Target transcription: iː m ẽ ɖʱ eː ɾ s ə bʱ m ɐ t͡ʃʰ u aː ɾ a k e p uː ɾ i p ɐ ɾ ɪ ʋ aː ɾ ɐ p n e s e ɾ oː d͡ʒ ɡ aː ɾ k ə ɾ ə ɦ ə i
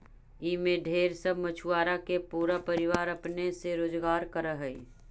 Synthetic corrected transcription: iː m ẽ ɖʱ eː ɾ s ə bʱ m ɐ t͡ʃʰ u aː ɾ a k e p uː ɾ a p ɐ ɾ ɪ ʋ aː ɾ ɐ p n e s e ɾ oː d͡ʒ ɡ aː ɾ k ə ɾ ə ɦ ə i